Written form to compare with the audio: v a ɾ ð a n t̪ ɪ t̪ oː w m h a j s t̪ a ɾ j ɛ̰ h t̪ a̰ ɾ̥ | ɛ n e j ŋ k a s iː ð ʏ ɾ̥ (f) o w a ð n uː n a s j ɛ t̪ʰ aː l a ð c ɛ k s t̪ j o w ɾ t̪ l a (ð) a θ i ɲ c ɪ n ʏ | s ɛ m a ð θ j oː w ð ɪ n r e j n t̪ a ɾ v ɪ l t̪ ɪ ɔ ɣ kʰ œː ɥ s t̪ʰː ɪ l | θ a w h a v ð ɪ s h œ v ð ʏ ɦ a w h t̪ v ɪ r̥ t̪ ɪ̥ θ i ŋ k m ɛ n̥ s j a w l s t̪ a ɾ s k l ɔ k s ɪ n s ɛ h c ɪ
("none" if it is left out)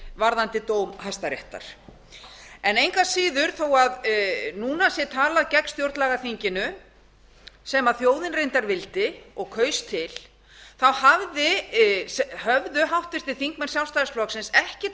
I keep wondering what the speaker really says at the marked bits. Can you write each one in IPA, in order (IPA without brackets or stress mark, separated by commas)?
θ, ɣ